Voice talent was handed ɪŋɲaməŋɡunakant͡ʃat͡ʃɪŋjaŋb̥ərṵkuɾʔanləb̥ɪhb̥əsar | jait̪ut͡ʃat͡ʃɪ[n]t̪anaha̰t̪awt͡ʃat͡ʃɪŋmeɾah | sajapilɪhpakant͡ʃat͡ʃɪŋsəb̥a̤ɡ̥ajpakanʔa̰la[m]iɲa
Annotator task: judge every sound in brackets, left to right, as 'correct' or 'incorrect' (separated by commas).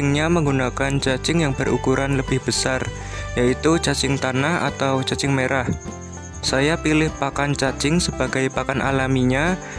incorrect, correct